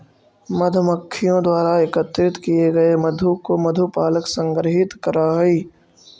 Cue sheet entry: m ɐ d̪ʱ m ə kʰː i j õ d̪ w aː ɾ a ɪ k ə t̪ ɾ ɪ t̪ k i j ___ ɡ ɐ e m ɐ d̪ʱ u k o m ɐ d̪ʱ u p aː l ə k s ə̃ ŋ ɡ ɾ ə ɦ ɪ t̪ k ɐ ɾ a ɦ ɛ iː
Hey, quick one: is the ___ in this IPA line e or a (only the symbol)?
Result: e